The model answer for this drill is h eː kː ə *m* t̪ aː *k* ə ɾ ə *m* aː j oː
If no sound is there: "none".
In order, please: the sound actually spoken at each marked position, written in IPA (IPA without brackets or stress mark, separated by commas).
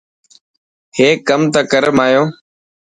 m, k, m